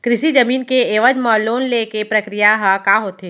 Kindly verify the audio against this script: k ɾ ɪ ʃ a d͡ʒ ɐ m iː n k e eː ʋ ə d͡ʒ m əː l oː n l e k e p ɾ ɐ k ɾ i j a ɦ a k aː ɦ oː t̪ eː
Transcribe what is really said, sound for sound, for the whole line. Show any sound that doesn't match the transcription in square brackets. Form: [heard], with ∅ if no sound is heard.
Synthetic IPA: k ɾ ɪ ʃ [i] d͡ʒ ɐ m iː n k e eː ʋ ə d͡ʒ m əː l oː n l e k e p ɾ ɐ k ɾ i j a ɦ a k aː ɦ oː t̪ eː